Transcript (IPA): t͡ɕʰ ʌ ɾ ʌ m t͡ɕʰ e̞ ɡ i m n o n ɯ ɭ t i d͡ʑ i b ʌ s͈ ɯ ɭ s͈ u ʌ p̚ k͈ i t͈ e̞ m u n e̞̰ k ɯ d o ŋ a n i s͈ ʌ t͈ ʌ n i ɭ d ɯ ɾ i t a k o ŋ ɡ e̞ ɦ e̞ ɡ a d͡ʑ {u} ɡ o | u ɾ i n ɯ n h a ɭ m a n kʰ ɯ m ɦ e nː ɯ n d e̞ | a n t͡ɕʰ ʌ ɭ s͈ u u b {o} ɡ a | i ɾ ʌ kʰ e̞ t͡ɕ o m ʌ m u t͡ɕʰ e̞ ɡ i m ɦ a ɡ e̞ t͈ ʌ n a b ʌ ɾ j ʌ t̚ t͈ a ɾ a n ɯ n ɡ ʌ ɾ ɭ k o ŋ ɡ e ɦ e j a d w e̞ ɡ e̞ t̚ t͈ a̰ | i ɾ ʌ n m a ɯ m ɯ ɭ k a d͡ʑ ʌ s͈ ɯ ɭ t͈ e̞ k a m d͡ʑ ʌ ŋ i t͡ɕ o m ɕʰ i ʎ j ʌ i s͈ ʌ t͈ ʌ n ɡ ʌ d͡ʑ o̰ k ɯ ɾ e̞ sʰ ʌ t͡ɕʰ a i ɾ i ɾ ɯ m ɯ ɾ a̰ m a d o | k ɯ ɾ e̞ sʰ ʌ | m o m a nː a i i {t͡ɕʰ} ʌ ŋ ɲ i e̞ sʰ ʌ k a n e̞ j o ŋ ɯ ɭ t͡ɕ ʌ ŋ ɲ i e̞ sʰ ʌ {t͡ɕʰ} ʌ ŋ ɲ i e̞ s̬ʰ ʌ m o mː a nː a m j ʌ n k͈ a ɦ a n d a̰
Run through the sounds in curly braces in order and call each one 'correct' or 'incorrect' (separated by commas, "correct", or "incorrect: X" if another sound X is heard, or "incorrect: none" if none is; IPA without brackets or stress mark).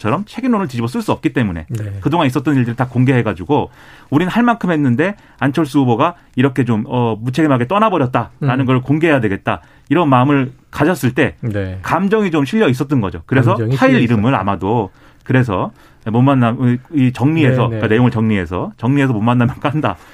correct, correct, incorrect: t͡ɕ, incorrect: t͡ɕ